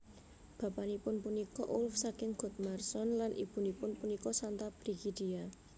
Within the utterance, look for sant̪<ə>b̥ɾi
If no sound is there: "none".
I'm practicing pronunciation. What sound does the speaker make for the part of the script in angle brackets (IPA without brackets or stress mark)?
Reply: a